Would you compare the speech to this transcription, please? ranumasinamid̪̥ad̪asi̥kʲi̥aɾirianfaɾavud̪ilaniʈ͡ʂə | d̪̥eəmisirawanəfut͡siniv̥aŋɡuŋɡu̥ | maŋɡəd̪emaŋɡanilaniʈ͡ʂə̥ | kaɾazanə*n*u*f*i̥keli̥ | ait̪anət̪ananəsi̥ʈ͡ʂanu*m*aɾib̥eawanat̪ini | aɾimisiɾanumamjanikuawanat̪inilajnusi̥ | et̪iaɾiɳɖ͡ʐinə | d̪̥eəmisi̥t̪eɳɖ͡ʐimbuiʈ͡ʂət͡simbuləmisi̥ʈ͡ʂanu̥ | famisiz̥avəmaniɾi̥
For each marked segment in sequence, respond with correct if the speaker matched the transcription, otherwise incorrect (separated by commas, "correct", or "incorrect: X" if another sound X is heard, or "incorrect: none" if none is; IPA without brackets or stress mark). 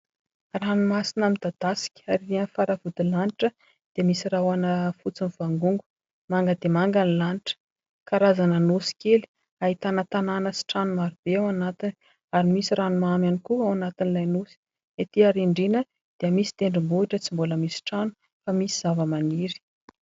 correct, incorrect: s, correct